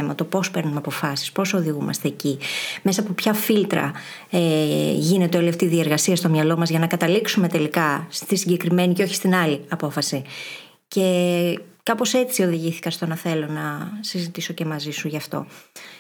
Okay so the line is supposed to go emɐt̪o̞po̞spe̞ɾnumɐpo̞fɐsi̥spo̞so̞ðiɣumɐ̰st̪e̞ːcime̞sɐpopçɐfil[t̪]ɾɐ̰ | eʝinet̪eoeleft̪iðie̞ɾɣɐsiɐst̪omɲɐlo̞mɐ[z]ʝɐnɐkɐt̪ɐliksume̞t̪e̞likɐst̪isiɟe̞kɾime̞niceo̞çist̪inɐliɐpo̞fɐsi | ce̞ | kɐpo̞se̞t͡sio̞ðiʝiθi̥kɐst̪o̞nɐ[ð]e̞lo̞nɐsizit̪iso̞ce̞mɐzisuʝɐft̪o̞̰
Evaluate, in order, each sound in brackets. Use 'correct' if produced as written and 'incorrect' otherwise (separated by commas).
correct, correct, incorrect